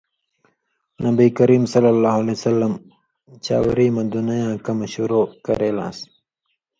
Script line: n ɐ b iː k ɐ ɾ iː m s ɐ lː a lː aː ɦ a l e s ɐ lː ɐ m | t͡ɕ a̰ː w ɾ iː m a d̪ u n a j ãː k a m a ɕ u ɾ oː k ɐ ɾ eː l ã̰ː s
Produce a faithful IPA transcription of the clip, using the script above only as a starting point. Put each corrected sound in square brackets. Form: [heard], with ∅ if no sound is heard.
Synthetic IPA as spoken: n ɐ b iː k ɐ ɾ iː m s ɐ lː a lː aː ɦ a l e s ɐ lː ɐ m | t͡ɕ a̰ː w ɾ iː m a d̪ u n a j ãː k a m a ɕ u ɾ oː k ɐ ɾ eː l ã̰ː s